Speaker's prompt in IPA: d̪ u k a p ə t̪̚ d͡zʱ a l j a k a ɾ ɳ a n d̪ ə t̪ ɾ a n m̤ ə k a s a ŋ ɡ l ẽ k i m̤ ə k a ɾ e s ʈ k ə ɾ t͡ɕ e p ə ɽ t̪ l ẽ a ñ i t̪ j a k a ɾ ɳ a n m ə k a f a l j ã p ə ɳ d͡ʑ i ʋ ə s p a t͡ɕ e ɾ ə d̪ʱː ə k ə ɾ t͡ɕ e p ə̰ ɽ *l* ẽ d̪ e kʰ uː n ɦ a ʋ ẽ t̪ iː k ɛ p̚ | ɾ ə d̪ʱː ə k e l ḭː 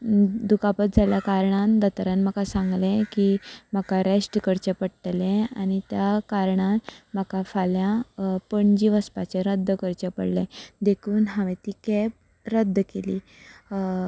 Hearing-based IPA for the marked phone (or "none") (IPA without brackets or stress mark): l